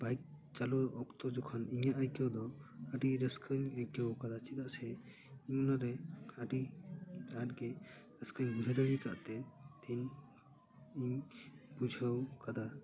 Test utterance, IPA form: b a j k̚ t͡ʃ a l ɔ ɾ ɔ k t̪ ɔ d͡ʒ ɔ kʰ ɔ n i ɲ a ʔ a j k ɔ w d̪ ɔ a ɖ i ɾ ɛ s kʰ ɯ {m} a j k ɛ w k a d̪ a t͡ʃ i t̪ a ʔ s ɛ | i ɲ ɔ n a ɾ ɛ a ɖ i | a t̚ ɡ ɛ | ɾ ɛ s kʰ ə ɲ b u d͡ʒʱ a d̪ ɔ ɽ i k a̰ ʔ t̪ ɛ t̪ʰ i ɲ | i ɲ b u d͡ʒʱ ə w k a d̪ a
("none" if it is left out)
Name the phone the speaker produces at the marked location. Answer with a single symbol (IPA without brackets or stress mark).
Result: ɲ